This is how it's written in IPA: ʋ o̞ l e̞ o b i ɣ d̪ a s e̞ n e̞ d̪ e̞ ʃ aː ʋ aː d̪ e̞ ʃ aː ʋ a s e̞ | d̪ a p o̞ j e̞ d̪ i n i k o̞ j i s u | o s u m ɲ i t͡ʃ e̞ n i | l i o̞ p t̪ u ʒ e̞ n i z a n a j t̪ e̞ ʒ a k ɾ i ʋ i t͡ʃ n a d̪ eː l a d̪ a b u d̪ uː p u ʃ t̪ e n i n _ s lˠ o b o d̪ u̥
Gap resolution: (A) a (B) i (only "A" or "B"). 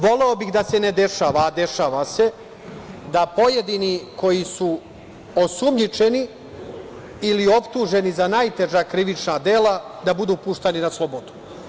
A